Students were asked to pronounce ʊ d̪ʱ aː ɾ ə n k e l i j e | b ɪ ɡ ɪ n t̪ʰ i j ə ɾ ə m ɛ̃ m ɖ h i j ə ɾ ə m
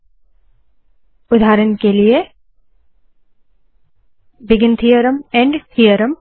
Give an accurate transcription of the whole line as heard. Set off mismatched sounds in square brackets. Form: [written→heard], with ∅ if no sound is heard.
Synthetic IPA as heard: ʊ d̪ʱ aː ɾ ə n k e l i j e | b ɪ ɡ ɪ n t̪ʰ i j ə ɾ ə m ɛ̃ [m→ɳ] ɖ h i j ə ɾ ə m